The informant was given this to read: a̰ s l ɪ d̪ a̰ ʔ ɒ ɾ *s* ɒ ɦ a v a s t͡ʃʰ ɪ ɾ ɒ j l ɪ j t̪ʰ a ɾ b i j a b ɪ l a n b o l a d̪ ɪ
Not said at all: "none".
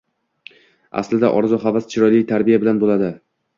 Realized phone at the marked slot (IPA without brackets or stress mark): z